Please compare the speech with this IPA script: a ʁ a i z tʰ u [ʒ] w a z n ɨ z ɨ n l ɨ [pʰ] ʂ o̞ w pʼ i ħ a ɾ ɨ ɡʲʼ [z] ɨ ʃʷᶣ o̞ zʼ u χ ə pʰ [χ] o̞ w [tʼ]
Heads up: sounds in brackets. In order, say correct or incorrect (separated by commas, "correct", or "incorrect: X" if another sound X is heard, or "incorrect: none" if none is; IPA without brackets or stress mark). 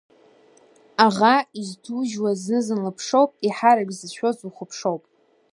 correct, correct, correct, incorrect: ʂ, incorrect: pʼ